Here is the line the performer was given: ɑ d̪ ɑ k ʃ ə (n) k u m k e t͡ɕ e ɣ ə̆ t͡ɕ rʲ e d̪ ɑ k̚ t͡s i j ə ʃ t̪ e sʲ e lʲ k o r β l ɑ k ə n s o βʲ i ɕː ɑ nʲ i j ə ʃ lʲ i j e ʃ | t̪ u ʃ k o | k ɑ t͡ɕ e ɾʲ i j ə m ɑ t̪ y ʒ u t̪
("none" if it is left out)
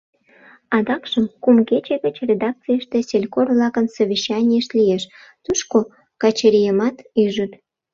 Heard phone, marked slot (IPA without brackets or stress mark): m